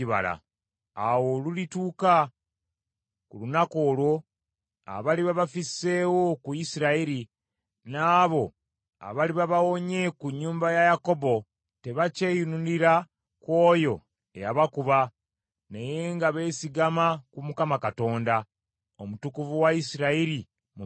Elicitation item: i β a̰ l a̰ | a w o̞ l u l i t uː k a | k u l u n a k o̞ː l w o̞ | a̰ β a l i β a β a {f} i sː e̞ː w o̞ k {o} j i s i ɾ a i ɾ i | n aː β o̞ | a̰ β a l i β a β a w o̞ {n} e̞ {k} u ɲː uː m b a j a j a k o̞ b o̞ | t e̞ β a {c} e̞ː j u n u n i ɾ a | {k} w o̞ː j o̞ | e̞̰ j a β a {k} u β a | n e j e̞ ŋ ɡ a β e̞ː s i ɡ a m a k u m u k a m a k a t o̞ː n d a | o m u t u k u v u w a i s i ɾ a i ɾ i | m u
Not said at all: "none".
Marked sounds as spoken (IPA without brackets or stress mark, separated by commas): f, u, ɲ, k, c, k, k